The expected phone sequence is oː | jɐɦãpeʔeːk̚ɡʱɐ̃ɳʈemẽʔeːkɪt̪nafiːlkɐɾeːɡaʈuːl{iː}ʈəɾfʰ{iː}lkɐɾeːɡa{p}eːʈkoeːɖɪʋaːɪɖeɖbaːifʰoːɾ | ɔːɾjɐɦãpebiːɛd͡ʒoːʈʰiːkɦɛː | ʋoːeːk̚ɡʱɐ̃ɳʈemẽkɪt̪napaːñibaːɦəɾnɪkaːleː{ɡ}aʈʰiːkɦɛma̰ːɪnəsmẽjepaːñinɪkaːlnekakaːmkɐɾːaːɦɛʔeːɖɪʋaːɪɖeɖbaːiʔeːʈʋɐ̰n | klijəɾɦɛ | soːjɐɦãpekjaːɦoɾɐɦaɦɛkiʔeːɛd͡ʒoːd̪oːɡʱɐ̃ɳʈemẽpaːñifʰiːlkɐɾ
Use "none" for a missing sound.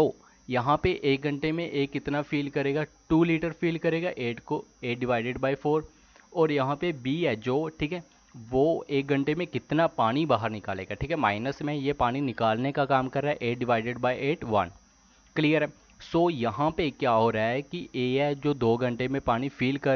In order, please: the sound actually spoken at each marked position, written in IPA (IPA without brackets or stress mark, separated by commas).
iː, iː, ʔ, ɡ